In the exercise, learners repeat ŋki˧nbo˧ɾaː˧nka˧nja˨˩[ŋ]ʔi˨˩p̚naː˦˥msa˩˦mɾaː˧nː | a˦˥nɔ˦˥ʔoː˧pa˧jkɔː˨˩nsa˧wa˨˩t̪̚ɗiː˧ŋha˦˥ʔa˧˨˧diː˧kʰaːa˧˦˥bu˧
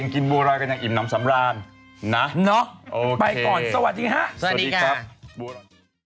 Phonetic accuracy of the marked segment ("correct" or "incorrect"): correct